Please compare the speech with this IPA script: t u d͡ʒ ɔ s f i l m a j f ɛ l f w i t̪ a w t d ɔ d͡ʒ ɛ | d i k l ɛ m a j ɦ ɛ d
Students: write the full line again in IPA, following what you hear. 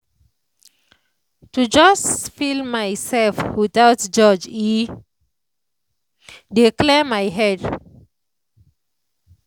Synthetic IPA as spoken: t u d͡ʒ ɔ s f i l m a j s ɛ l f w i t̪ a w t d͡ʒ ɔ d͡ʒ i | d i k l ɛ m a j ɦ ɛ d